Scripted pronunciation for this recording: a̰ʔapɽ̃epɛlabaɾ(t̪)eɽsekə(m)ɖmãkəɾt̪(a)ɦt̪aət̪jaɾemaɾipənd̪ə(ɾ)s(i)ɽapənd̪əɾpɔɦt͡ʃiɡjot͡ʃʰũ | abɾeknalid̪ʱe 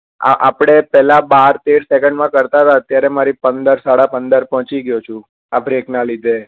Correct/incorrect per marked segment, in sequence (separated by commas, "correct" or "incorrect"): correct, incorrect, correct, correct, incorrect